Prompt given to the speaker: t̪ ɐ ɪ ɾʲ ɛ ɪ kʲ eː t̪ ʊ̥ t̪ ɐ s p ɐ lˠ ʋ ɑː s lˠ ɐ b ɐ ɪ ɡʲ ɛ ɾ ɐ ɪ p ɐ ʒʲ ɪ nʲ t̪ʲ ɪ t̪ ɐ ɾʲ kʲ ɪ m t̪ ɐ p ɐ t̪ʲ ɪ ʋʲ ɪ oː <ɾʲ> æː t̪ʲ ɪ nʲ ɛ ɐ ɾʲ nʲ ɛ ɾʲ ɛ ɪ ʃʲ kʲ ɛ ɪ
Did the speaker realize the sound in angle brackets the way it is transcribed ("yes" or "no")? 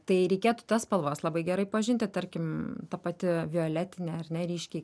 no